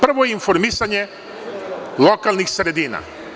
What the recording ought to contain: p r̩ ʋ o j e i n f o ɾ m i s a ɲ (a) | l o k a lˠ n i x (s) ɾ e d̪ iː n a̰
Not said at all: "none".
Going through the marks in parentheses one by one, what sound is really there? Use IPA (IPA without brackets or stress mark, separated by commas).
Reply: e, s